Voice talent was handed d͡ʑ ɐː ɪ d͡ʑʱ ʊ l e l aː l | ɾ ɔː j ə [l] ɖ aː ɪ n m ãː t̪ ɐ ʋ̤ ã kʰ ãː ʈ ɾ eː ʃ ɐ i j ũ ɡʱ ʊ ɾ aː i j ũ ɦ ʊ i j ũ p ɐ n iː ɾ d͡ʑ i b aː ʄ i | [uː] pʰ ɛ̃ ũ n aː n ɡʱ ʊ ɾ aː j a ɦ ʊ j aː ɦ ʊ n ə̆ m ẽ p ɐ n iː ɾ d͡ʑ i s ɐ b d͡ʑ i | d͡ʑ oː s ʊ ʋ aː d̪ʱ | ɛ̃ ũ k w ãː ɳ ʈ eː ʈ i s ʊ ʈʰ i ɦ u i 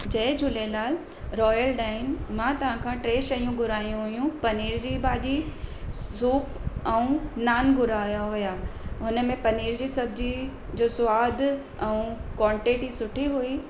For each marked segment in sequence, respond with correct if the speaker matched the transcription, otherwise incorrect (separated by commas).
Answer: correct, correct